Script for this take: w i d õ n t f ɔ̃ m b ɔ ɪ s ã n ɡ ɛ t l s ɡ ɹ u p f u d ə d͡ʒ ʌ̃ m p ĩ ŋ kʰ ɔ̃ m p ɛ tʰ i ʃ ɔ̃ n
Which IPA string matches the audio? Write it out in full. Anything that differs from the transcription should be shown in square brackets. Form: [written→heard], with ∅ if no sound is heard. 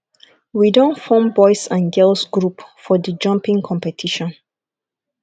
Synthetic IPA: w i d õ n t f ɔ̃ m b ɔ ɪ s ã n ɡ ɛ [t→∅] l s ɡ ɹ u p f [u→ɔ] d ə d͡ʒ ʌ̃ m p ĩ ŋ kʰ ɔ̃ m p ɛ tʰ i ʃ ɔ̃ n